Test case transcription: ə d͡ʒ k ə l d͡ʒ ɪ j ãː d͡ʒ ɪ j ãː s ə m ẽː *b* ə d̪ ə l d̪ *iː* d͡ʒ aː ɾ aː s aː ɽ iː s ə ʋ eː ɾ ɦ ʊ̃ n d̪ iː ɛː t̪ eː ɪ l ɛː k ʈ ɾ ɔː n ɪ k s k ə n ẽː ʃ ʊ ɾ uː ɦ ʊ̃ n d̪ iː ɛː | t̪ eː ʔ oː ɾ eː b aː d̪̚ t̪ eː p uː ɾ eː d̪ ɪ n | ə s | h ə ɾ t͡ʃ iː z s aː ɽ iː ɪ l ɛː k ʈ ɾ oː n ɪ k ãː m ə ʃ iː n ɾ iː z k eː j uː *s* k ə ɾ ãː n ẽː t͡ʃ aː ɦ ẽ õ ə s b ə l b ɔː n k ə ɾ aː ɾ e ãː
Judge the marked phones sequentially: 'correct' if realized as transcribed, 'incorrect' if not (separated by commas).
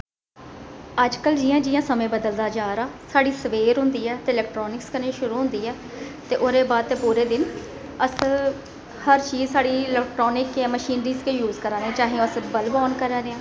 correct, incorrect, incorrect